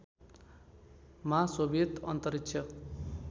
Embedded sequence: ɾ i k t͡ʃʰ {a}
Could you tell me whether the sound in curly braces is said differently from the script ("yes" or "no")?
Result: yes